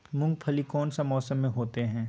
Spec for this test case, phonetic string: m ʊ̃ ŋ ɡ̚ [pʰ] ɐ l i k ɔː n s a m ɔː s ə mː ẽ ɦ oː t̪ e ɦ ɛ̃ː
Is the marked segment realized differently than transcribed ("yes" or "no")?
no